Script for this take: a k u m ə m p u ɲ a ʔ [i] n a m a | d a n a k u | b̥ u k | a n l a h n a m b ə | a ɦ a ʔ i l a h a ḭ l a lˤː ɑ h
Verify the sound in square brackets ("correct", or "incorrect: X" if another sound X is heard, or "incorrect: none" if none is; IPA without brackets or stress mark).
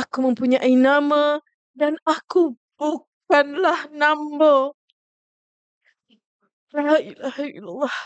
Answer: correct